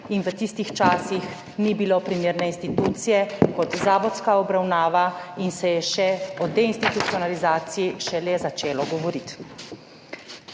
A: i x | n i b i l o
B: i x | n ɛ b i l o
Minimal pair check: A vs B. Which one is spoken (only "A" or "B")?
A